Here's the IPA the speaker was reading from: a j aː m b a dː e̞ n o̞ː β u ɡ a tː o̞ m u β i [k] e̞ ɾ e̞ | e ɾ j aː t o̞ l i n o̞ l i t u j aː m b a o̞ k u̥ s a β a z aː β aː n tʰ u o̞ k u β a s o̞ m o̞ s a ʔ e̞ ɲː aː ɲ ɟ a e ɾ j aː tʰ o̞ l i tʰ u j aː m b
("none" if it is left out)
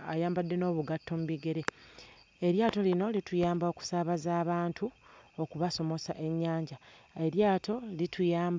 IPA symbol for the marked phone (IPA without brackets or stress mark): ɡ